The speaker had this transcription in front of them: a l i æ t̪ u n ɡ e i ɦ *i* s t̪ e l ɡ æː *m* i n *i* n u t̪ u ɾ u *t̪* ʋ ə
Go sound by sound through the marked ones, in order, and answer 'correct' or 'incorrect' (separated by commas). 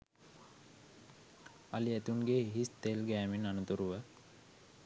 correct, correct, incorrect, incorrect